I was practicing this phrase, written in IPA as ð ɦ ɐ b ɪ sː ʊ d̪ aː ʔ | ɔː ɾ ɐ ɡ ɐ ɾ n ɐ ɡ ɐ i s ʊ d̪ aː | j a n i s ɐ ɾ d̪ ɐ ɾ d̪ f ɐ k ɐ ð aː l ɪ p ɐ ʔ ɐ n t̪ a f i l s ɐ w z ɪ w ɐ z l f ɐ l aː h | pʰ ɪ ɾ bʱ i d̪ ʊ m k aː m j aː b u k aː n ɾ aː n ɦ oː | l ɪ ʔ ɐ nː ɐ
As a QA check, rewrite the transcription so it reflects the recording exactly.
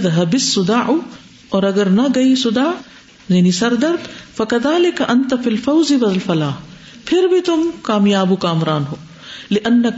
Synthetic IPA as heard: ð ɦ ɐ b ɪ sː ʊ d̪ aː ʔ | ɔː ɾ ɐ ɡ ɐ ɾ n ɐ ɡ ɐ i s ʊ d̪ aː | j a n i s ɐ ɾ d̪ ɐ ɾ d̪ f ɐ k ɐ ð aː l ɪ k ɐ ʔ ɐ n t̪ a f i l f ɐ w z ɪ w ɐ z l f ɐ l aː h | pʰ ɪ ɾ bʱ i t̪ ʊ m k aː m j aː b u k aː m ɾ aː n ɦ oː | l ɪ ʔ ɐ nː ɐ